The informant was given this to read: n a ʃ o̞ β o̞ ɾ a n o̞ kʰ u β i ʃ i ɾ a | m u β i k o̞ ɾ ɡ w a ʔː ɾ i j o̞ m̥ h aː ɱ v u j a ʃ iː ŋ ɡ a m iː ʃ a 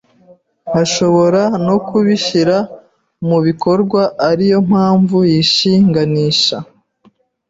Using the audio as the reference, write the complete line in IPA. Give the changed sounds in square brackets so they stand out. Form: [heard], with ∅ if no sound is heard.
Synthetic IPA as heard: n a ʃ o̞ β o̞ ɾ a n o̞ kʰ u β i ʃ i ɾ a | m u β i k o̞ ɾ ɡ w a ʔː ɾ i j o̞ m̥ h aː ɱ v u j [i] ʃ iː ŋ ɡ a [n] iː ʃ a